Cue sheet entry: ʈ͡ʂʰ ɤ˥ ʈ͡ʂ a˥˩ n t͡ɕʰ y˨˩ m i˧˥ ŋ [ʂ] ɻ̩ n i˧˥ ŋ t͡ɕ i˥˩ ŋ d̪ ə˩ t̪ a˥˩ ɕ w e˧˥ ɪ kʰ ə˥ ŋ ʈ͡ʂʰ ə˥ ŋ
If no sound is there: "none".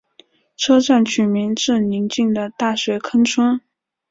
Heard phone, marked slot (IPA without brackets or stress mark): ʈ͡ʂ